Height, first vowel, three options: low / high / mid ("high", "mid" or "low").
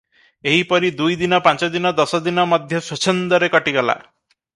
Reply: mid